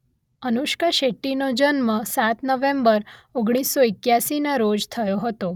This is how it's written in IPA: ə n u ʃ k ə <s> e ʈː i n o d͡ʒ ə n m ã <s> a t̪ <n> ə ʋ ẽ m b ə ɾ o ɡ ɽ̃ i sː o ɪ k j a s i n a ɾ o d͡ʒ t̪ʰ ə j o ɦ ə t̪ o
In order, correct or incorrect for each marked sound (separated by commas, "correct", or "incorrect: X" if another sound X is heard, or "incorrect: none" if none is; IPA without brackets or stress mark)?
incorrect: ʃ, correct, correct